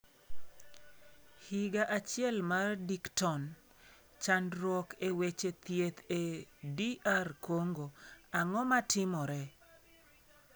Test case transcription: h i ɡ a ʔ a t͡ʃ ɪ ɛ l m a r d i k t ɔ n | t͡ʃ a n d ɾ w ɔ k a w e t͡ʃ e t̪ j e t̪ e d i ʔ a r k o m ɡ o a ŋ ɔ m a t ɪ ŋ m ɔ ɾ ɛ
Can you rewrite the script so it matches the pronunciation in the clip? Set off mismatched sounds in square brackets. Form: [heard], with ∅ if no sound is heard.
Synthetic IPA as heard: h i ɡ a ʔ a t͡ʃ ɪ ɛ l m a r d i k t ɔ n | t͡ʃ a n d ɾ w ɔ k [e] w e t͡ʃ e t̪ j e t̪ e d i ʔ a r k o [ŋ] ɡ o a ŋ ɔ m a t ɪ [∅] m ɔ ɾ ɛ